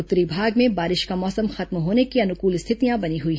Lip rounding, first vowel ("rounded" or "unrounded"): rounded